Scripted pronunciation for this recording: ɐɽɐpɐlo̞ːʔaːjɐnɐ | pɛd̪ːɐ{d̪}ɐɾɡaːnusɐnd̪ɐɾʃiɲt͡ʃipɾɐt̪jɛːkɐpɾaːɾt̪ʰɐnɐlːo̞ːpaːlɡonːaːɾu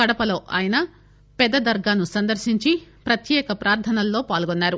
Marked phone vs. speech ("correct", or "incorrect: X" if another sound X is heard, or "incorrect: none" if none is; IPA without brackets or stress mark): correct